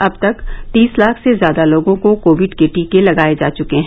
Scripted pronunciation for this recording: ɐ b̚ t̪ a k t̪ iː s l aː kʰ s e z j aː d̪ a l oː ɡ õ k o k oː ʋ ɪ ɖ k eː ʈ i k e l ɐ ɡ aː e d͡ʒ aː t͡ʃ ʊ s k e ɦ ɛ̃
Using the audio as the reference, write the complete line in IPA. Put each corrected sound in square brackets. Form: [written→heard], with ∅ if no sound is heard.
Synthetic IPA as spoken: ɐ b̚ t̪ [a→ɐ] k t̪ iː s l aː kʰ s e z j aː d̪ a l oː ɡ õ k o k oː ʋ ɪ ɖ k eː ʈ i k e l ɐ ɡ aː e d͡ʒ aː t͡ʃ ʊ [s→∅] k e ɦ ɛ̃

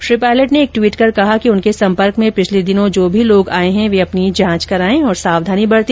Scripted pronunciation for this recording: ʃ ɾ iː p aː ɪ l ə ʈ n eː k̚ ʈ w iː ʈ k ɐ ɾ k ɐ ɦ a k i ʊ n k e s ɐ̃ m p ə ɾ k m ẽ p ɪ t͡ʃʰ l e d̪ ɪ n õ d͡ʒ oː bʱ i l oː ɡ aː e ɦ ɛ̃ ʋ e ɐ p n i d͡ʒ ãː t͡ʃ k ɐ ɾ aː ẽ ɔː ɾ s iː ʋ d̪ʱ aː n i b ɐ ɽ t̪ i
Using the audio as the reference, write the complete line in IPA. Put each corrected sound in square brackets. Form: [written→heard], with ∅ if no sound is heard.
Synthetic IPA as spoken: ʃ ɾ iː p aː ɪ l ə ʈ n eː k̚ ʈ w iː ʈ k ɐ ɾ k ɐ ɦ a k i ʊ n k e s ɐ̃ m p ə ɾ k m ẽ p ɪ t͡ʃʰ l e d̪ ɪ n õ d͡ʒ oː bʱ i l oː ɡ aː e ɦ ɛ̃ ʋ e ɐ p n i d͡ʒ ãː t͡ʃ k ɐ ɾ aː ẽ ɔː ɾ s [iː→aː] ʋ d̪ʱ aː n i b ɐ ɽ t̪ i

